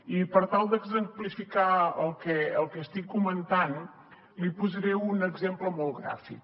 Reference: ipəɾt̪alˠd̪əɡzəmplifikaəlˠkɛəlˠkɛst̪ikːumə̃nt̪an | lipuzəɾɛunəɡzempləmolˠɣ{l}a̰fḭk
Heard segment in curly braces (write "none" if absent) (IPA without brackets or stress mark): ɾ